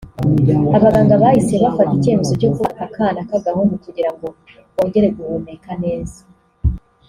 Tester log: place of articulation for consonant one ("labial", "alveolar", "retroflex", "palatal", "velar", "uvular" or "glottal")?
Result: labial